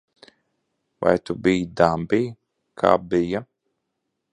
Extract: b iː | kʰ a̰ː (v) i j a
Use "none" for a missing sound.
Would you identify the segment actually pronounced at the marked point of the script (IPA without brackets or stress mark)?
b